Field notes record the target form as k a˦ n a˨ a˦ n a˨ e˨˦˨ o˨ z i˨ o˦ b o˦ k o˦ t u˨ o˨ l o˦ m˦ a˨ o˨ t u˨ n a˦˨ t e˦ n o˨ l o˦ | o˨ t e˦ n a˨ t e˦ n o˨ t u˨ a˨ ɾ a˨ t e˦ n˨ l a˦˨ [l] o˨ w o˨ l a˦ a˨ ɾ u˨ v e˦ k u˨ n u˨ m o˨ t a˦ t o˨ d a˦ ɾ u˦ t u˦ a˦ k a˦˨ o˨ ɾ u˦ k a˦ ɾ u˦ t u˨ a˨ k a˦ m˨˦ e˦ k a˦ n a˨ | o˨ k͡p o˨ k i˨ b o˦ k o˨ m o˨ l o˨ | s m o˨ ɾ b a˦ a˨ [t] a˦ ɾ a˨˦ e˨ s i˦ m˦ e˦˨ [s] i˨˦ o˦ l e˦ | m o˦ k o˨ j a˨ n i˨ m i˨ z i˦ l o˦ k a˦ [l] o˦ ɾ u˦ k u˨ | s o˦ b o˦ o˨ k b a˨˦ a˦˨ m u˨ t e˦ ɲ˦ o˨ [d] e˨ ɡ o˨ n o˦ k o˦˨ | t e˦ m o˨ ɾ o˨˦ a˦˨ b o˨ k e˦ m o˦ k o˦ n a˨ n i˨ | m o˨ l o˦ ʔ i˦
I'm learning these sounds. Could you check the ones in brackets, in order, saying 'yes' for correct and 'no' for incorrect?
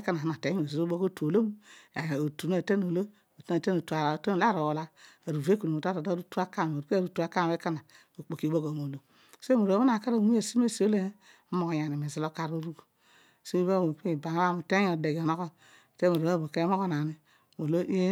no, no, yes, no, yes

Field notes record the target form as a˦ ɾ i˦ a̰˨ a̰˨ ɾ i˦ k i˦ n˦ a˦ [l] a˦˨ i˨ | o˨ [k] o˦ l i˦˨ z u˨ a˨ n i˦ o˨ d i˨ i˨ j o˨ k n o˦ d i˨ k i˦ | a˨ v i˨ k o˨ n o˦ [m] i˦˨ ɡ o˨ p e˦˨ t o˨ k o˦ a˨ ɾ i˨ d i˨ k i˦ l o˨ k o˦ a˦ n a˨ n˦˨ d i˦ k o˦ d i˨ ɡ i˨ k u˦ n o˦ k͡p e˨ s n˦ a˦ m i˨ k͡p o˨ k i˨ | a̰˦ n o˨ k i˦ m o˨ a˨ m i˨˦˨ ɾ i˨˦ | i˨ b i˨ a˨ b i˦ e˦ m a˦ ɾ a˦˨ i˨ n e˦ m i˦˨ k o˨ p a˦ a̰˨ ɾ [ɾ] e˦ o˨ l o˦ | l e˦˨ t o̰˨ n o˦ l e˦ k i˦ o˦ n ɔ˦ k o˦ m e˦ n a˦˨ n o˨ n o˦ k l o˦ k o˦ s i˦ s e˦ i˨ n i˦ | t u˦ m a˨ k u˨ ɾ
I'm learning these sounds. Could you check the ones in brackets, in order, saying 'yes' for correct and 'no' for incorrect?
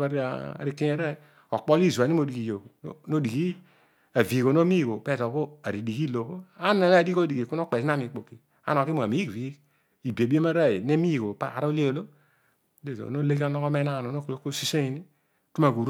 no, no, yes, no

